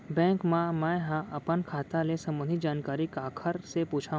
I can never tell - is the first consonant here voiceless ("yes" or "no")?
no